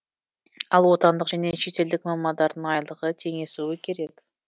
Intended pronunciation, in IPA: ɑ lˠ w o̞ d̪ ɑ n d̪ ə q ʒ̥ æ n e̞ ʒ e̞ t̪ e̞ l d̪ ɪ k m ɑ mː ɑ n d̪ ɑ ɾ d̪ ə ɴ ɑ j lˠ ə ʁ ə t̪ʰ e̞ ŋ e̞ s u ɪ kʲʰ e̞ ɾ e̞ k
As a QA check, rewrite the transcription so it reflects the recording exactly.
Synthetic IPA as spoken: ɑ lˠ w o̞ t̪ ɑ n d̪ ə q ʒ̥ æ n e̞ ʃ e̞ t̪ e̞ l d̪ ɪ k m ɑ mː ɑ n d̪ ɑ ɾ d̪ ə ɴ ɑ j lˠ ə ʁ ə t̪ʰ e̞ ŋ e̞ s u ɪ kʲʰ e̞ ɾ e̞ k